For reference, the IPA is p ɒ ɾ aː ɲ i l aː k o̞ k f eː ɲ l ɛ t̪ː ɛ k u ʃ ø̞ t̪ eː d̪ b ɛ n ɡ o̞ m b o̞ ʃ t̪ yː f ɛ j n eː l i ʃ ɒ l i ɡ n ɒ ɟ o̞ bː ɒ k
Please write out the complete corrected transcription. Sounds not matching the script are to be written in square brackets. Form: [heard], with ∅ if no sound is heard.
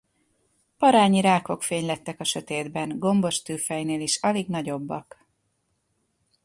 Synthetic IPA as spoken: p ɒ ɾ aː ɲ i [ɾ] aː k o̞ k f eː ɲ l ɛ t̪ː ɛ k [ɒ] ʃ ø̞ t̪ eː d̪ b ɛ n ɡ o̞ m b o̞ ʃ t̪ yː f ɛ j n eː l i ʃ ɒ l i ɡ n ɒ ɟ o̞ bː ɒ k